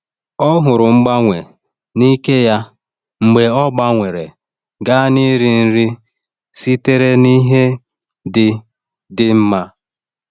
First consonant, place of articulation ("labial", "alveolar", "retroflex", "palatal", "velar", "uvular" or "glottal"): glottal